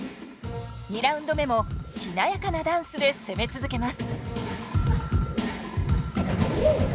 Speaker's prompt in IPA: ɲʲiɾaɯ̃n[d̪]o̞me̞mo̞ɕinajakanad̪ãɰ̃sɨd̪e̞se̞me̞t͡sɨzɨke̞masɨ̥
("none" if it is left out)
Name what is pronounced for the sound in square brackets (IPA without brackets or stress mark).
d̪